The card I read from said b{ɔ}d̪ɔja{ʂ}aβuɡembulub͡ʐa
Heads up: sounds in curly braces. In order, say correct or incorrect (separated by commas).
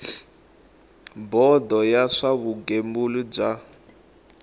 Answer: correct, correct